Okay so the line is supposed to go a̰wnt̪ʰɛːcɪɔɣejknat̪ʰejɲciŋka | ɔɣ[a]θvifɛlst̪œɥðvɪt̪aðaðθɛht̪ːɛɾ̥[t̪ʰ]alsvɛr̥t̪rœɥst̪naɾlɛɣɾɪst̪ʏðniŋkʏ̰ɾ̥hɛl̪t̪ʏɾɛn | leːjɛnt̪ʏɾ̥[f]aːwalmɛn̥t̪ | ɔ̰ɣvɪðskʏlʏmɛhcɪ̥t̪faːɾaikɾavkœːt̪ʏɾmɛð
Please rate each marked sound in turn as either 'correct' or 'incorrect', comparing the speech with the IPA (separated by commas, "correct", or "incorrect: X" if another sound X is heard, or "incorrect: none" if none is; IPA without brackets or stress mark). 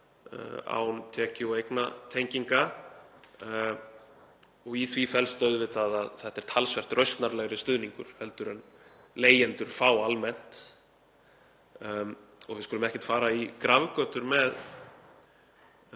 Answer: incorrect: i, correct, correct